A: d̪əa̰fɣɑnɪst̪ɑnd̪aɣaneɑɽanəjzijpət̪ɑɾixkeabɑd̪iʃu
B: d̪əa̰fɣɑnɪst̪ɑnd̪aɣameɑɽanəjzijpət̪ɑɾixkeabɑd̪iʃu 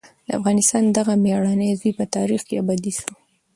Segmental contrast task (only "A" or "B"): B